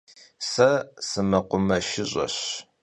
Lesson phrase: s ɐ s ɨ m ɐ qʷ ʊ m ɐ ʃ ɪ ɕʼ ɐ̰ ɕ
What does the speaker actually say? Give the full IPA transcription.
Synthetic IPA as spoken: s ɐ s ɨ m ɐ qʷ ʊ m ɐ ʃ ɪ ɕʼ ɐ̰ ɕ